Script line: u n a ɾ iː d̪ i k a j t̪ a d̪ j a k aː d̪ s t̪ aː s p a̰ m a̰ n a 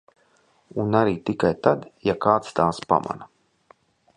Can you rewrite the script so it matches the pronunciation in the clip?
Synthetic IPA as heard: u n a ɾ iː t̪ i k a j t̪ a d̪ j a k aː t̪ s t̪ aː s p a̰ m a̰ n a